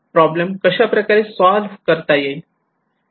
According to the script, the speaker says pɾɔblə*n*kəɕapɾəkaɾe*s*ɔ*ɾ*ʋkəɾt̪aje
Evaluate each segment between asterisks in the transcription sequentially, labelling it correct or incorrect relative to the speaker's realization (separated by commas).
incorrect, correct, incorrect